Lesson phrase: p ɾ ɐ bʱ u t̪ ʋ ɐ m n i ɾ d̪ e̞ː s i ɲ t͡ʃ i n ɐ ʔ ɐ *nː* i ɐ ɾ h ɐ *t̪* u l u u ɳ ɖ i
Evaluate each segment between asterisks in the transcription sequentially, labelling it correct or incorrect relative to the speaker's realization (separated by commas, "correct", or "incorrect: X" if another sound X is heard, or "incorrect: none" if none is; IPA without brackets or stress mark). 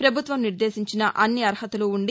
correct, correct